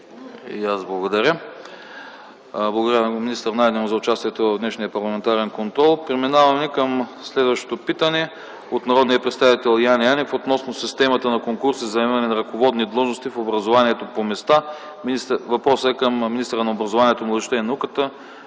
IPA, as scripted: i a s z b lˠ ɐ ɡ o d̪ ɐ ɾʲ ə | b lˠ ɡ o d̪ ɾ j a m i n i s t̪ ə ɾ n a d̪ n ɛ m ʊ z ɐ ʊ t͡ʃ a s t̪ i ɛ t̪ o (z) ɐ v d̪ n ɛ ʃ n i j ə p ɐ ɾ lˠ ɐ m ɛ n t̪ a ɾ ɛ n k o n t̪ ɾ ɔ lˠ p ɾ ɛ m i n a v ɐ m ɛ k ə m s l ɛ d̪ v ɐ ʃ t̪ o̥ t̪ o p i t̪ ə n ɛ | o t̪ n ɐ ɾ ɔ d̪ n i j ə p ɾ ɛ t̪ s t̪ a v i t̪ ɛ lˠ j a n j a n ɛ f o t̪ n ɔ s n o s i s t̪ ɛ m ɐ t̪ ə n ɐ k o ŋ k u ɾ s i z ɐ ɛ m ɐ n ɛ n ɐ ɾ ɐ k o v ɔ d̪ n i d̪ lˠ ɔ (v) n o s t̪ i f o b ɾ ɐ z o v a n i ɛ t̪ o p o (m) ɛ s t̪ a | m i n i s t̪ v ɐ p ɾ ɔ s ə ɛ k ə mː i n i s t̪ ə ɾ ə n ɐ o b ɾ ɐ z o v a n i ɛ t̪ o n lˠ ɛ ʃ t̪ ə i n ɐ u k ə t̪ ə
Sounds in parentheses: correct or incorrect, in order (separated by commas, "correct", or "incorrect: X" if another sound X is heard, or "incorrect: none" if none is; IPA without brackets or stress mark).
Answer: incorrect: v, incorrect: ʒ, correct